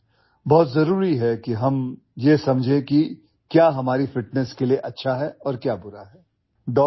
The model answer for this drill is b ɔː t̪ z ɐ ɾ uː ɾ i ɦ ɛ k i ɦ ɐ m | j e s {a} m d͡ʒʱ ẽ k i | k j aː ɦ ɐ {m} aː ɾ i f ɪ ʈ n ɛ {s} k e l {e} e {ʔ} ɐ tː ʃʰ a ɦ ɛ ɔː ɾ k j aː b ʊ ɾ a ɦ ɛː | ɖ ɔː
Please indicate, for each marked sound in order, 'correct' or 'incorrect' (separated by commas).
incorrect, correct, correct, incorrect, correct